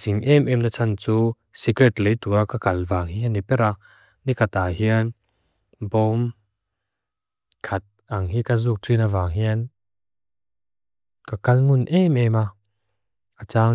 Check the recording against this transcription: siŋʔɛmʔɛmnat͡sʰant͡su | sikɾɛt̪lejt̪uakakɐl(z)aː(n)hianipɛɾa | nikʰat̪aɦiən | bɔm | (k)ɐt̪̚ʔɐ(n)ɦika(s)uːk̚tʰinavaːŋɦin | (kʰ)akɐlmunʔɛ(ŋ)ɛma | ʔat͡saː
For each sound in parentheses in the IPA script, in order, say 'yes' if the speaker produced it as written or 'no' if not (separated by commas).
no, no, no, no, no, no, no